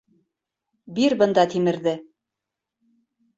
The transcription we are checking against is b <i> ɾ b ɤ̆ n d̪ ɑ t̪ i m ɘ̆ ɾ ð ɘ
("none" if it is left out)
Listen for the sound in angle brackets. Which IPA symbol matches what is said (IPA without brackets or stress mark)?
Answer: i